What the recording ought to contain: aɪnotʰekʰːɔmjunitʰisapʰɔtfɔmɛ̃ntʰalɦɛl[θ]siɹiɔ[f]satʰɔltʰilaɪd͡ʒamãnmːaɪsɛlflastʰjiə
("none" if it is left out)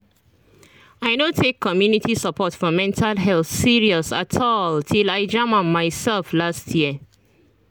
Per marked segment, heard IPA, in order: θ, none

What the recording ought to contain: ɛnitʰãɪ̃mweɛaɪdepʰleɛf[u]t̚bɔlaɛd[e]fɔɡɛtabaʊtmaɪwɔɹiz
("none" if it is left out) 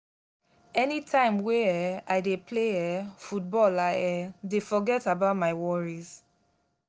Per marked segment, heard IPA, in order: u, e

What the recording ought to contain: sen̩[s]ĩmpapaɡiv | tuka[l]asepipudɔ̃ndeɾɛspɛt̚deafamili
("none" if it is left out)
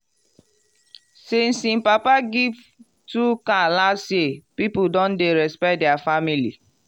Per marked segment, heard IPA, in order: s, l

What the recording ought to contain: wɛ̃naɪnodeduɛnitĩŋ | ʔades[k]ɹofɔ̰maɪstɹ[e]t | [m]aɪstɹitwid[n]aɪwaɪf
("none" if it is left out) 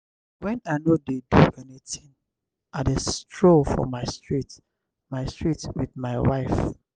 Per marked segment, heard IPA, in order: t, i, m, m

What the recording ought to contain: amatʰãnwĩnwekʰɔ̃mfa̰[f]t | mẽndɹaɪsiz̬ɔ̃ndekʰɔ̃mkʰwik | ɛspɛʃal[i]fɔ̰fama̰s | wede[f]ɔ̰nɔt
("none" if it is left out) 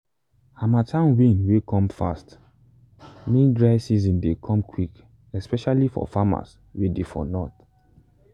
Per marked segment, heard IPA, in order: s, i, f

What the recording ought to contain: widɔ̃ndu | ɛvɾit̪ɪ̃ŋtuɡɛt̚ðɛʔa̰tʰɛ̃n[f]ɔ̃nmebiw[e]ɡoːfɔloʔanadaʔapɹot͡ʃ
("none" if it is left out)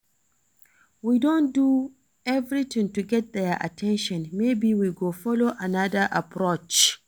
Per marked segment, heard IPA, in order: ʃ, i

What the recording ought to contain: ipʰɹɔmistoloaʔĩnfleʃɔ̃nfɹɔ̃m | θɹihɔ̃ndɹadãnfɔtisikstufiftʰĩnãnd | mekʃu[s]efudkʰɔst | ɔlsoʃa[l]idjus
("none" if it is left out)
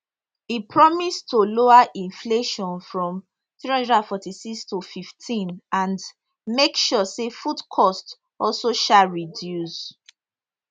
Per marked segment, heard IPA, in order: s, ɹ

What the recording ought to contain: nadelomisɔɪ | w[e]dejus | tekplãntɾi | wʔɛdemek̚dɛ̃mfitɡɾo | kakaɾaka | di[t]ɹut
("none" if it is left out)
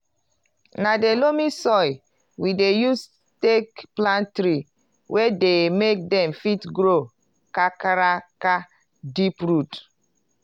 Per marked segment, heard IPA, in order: i, p

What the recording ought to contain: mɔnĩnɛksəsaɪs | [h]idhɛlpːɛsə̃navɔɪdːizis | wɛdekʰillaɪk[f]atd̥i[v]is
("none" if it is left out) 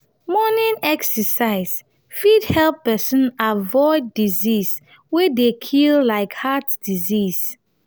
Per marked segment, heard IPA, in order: f, h, z

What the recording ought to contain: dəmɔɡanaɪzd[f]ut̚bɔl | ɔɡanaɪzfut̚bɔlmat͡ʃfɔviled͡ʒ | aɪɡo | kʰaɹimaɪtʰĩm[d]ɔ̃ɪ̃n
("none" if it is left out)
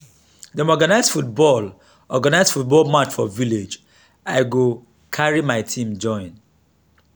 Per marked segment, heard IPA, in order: f, d͡ʒ

